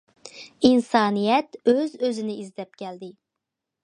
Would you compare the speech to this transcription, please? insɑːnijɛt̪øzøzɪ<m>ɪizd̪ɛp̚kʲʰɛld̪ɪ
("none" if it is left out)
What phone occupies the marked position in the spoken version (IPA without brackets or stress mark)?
n